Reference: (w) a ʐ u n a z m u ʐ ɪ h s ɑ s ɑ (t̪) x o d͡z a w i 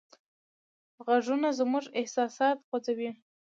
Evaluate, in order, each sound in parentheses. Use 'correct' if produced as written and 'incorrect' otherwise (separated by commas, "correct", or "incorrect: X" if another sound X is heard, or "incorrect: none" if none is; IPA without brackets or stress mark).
incorrect: ɣ, correct